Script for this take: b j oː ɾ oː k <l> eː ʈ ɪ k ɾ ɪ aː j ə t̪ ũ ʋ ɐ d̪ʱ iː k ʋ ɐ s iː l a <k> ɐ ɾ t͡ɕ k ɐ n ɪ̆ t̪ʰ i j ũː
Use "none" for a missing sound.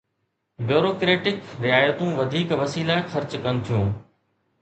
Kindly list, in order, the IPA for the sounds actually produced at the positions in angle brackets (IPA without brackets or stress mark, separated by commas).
ɾ, x